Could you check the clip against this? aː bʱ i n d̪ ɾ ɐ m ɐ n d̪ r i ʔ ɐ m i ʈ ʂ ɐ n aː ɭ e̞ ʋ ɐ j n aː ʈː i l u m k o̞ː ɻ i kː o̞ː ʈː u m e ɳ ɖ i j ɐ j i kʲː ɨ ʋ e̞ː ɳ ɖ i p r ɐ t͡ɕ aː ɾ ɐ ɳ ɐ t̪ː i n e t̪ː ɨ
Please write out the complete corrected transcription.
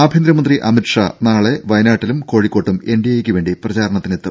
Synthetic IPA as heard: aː bʱ i n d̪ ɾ ɐ m ɐ n d̪ r i ʔ ɐ m i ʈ ʂ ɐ n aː ɭ e̞ ʋ ɐ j n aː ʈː i l u m k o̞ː ɻ i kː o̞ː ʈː u m e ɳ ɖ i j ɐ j e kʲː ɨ ʋ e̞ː ɳ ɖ i p r ɐ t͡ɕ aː ɾ ɐ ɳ ɐ t̪ː i n e t̪ː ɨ